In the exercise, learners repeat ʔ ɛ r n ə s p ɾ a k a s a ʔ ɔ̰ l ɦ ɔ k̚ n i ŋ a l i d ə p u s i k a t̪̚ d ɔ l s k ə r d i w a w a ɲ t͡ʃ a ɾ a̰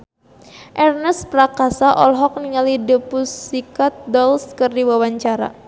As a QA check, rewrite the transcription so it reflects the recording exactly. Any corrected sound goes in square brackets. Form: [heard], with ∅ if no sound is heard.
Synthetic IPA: ʔ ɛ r n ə s p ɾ a k a s a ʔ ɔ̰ l ɦ ɔ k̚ n i ŋ a l i d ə p u s i k a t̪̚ d ɔ l s k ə r d i w a w a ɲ t͡ʃ a ɾ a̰